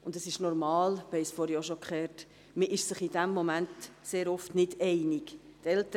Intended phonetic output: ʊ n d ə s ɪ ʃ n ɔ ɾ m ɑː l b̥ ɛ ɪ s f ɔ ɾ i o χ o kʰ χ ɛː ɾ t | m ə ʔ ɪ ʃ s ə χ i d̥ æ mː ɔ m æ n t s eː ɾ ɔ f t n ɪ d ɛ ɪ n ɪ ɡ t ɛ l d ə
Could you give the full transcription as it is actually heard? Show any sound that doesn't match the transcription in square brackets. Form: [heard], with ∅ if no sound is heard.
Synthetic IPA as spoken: ʊ n d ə s ɪ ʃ n ɔ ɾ m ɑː l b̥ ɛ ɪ s f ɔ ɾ [j] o [ʃ] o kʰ χ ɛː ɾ t | m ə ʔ ɪ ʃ s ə χ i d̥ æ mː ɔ m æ n t s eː ɾ ɔ f t n ɪ d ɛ ɪ n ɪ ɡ t ɛ l [t] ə